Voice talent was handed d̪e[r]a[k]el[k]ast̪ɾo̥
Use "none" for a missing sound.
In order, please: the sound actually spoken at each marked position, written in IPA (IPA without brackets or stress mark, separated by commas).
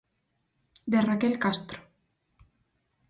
r, k, k